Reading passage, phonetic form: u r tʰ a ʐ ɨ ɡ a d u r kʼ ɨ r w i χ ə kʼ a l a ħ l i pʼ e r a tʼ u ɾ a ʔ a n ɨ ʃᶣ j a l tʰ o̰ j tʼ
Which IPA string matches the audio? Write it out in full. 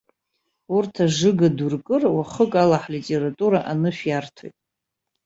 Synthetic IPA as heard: u r tʰ a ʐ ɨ ɡ a d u r kʼ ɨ r w a χ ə kʼ a l a ħ l i tʼ e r a tʼ u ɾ a ʔ a n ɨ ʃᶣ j a r tʰ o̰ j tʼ